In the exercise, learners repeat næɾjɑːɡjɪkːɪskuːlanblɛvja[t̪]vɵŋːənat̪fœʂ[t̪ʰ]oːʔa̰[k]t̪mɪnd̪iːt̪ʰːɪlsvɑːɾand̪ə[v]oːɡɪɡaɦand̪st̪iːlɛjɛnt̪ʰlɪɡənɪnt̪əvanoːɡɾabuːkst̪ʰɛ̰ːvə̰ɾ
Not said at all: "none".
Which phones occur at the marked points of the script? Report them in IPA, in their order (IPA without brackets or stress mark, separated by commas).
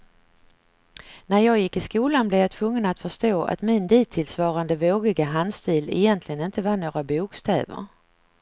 t̪ʰ, t̪, none, v